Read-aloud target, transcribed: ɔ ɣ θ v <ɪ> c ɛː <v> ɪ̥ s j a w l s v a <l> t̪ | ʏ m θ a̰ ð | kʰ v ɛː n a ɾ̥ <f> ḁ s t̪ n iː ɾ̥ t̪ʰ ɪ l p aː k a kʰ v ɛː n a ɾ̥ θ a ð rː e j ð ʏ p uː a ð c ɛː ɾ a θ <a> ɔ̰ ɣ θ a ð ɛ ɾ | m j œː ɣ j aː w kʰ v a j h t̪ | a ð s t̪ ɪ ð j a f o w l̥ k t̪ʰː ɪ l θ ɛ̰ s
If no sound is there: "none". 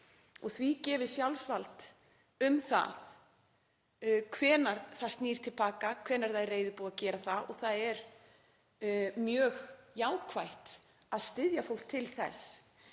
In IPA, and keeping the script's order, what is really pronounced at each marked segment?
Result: i, v, l, θ, a

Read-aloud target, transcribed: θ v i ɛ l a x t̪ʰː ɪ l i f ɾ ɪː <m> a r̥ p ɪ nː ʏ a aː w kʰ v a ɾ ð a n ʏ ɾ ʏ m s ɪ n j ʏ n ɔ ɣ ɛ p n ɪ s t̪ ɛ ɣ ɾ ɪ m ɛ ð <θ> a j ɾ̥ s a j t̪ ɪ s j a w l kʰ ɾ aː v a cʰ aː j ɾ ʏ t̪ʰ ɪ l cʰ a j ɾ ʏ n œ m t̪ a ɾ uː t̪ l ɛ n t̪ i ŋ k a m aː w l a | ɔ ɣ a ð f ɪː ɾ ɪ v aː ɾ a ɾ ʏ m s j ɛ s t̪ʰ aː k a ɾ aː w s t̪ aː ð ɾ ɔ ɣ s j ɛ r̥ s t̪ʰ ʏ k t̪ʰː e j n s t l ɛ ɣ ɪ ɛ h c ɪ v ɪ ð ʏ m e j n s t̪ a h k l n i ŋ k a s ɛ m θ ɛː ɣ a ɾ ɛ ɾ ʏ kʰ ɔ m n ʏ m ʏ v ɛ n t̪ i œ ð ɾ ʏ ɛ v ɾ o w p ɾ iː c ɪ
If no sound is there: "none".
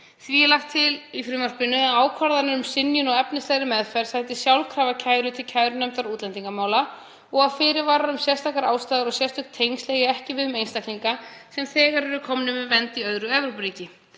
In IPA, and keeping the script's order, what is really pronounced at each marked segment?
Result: m, f

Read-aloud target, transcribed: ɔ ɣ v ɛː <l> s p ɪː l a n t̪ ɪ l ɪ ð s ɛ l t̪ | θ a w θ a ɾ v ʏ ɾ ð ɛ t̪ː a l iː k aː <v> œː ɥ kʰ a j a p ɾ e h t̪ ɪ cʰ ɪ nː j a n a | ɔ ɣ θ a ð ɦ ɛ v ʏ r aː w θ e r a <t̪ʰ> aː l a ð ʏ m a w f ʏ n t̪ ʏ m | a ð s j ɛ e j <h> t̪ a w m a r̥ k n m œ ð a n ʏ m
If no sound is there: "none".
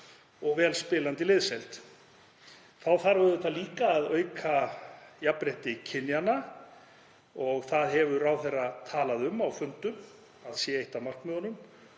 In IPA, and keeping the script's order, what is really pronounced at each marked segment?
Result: l, ð, t̪ʰ, h

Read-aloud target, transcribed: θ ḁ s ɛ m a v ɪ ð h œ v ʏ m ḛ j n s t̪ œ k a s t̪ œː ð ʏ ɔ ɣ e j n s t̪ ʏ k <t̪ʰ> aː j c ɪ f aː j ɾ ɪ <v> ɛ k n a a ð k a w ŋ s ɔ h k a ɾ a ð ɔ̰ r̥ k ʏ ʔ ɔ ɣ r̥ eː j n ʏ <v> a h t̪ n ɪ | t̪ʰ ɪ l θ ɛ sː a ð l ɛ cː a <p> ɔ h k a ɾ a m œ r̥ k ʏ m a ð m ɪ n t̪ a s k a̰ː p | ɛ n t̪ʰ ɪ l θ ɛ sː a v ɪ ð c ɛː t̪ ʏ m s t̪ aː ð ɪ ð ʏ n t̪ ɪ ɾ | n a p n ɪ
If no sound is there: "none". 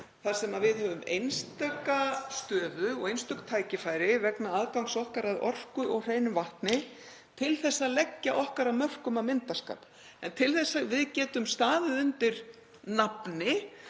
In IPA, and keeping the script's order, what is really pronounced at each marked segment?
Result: t̪ʰ, v, v, ʔ

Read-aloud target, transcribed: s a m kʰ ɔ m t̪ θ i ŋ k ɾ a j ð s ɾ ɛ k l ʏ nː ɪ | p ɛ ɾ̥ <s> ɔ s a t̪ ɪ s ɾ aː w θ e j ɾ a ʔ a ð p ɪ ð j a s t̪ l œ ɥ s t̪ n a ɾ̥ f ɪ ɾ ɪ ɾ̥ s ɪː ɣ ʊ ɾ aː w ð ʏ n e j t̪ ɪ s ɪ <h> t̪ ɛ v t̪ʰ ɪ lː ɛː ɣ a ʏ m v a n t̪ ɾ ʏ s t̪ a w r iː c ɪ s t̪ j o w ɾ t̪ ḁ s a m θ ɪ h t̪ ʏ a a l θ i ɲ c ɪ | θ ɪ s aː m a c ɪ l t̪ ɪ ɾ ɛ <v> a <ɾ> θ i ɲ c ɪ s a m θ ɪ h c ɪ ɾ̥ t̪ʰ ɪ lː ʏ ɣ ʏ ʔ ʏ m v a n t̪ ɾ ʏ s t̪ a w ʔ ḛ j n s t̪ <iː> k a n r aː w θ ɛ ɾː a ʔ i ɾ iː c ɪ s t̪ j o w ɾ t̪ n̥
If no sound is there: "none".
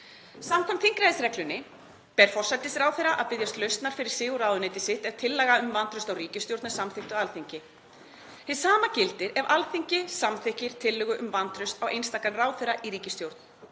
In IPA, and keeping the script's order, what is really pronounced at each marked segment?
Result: f, h, v, l, aː

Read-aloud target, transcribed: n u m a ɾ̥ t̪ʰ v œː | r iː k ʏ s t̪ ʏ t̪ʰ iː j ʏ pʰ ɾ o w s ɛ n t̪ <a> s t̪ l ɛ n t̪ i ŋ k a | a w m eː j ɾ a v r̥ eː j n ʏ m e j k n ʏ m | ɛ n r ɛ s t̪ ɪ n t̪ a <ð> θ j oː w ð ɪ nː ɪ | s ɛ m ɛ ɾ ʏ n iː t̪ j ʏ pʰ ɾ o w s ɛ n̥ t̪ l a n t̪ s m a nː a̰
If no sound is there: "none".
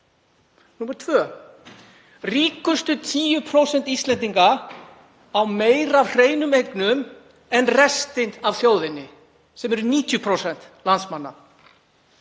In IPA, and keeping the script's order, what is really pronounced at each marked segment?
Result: i, v

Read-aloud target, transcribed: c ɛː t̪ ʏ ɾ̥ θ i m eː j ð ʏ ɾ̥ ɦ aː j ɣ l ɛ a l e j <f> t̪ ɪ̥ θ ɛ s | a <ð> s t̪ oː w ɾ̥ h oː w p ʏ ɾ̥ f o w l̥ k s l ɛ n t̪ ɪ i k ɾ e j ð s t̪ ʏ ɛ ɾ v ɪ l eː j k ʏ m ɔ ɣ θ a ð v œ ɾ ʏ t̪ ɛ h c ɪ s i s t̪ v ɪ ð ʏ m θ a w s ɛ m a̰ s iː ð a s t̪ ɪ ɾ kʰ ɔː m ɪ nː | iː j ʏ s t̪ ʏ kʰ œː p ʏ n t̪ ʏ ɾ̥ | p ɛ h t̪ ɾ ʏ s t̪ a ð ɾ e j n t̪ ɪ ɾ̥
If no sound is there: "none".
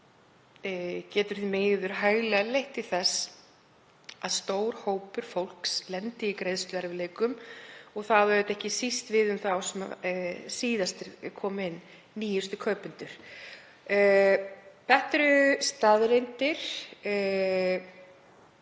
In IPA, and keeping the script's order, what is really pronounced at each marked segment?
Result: h, ð

